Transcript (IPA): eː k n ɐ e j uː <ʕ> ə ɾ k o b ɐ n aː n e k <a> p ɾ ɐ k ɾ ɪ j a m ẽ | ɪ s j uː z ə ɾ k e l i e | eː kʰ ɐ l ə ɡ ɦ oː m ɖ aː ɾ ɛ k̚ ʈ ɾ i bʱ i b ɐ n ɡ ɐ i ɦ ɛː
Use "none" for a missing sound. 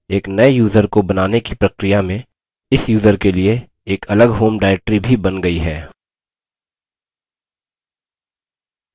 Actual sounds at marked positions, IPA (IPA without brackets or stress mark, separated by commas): z, i